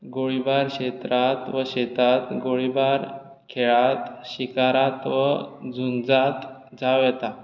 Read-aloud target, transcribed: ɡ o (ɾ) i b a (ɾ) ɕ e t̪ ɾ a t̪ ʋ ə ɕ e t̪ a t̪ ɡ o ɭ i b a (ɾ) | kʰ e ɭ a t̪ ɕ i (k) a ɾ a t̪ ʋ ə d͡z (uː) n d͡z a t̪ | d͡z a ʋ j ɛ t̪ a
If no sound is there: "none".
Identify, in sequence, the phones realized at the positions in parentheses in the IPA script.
ɭ, ɾ, ɾ, k, u

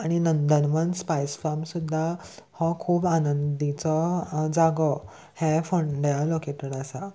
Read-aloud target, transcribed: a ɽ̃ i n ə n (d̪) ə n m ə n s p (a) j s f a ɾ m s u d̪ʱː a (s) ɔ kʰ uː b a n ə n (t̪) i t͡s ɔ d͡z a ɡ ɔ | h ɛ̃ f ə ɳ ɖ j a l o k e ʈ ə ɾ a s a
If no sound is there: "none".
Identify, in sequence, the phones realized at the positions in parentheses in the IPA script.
d̪, a, h, d̪

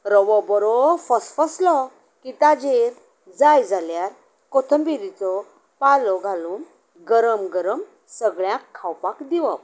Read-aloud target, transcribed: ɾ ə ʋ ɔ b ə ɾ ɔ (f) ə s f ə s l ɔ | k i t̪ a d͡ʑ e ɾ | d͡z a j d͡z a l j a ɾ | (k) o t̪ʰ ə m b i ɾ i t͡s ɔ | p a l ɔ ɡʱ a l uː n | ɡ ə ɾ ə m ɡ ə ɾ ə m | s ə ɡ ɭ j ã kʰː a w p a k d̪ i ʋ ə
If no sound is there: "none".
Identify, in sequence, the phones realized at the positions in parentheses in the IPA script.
f, k

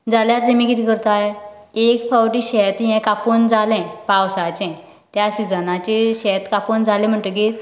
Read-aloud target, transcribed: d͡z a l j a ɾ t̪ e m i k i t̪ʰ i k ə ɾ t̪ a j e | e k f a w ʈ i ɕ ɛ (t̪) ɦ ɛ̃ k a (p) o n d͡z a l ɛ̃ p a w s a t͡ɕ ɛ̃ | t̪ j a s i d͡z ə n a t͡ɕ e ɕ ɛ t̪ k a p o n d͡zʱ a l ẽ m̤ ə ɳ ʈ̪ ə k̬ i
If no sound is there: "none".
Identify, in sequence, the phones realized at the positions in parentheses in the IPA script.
t̪, p

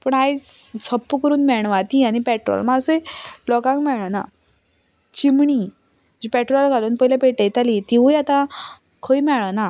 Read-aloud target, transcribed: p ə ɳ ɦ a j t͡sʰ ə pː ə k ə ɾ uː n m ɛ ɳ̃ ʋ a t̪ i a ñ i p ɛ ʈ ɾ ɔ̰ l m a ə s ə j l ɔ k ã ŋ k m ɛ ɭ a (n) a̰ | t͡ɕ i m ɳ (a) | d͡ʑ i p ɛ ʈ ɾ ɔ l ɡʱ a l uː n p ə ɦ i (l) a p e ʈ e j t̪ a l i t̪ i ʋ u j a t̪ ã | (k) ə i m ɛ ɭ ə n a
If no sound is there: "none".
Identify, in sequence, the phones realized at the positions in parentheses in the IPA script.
n, i, l, kʰ

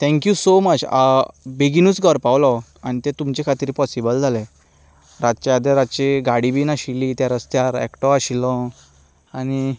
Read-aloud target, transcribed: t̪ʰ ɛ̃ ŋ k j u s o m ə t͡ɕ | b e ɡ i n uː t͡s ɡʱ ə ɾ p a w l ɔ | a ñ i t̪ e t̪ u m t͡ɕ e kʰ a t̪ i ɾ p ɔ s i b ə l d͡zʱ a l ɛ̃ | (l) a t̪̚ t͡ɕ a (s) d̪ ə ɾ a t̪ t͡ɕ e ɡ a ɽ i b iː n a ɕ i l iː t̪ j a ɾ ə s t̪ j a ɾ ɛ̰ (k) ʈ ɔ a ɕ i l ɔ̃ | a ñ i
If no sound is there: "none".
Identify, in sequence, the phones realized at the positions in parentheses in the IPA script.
ɾ, none, k

